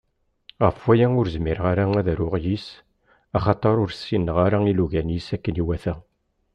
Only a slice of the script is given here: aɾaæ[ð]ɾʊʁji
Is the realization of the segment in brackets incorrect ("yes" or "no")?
no